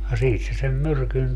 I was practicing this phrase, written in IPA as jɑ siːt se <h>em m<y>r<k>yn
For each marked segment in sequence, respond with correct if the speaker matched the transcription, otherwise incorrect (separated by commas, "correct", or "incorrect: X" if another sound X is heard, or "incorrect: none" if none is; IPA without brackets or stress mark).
incorrect: s, correct, correct